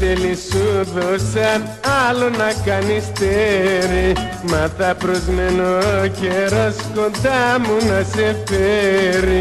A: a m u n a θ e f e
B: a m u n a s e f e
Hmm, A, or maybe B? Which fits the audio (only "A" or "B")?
B